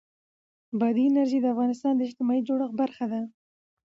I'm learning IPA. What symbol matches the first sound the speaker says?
b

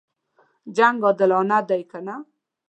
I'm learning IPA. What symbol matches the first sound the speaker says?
d͡ʒ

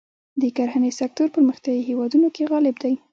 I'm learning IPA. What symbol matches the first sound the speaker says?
d̪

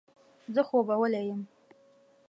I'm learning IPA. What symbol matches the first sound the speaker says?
z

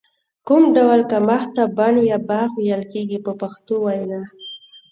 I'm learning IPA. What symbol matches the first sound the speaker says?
k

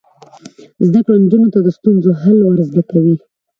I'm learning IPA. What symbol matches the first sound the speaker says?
z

